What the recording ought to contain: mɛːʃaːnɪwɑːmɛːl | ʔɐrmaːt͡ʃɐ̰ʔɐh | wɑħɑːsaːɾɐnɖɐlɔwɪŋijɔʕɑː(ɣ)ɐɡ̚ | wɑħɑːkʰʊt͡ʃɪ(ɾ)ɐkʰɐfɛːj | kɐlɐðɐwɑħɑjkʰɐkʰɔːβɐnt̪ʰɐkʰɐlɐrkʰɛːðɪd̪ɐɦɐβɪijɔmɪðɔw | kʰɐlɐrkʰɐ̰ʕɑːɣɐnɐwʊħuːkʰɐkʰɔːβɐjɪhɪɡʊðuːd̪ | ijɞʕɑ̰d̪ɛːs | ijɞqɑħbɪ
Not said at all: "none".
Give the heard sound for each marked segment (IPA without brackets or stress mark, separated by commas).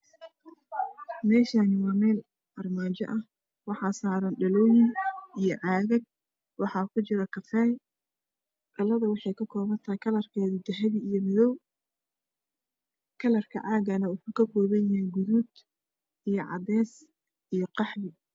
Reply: ɣ, ɾ